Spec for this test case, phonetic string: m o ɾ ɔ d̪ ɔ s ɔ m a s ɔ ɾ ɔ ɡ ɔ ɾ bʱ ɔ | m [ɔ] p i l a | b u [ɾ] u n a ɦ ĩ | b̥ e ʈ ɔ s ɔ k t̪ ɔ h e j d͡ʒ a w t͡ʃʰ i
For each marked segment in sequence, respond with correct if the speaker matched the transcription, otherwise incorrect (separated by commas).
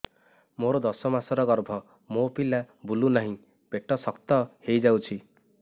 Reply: incorrect, incorrect